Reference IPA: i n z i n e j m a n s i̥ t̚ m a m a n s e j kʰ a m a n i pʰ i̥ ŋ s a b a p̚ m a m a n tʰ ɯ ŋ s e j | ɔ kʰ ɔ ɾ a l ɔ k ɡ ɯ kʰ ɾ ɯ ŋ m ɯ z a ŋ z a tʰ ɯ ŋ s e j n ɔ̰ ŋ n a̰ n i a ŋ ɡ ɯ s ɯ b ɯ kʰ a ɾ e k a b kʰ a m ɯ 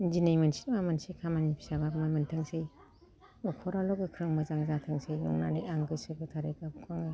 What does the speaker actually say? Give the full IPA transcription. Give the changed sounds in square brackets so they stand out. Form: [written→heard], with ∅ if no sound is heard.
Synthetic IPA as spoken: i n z i n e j m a n s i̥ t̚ m a m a n s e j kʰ a m a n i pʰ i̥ [ŋ→∅] s a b a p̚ m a m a n tʰ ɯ ŋ s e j | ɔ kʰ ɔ ɾ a l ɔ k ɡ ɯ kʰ ɾ ɯ ŋ m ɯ z a ŋ z a tʰ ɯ ŋ s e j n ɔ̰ ŋ n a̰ n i a ŋ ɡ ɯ s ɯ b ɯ [kʰ→tʰ] a ɾ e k a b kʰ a [m→ŋ] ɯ